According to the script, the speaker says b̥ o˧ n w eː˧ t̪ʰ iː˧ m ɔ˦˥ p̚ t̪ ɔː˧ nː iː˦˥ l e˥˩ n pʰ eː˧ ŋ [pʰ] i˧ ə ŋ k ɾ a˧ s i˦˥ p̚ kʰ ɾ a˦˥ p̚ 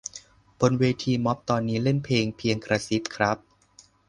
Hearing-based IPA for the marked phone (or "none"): pʰ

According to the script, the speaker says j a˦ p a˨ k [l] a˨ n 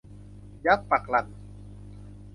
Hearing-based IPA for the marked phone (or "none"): l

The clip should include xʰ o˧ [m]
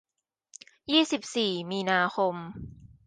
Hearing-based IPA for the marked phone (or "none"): m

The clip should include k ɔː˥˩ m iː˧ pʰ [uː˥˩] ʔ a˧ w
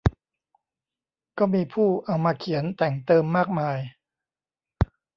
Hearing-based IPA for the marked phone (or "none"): uː˥˩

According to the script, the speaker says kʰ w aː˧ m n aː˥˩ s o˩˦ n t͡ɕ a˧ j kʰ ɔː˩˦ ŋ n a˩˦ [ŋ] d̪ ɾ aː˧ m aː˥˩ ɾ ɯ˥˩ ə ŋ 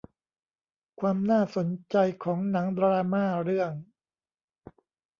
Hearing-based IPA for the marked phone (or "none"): ŋ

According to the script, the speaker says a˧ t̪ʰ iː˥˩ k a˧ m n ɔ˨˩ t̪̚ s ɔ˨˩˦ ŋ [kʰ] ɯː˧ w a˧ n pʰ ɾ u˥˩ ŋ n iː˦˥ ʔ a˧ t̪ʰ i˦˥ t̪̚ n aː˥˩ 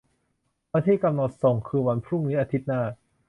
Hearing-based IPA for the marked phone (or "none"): kʰ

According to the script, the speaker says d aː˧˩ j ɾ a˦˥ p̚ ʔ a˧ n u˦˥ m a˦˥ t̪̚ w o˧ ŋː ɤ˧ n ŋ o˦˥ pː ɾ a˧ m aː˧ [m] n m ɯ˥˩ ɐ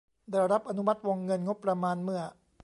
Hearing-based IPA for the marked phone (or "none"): none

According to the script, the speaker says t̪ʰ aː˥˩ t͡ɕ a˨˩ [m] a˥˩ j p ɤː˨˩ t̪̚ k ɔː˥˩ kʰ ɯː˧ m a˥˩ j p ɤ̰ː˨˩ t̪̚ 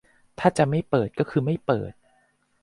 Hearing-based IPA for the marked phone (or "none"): m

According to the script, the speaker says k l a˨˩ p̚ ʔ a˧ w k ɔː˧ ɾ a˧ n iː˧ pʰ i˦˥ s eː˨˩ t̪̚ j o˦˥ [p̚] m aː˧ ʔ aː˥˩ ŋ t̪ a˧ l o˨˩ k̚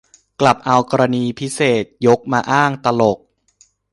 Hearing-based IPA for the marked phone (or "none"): k̚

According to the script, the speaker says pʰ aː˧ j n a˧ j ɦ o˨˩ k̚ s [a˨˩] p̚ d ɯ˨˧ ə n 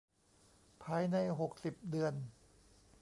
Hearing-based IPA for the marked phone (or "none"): i˨˩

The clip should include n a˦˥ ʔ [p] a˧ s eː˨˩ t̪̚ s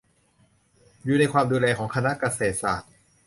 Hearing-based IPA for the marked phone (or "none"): k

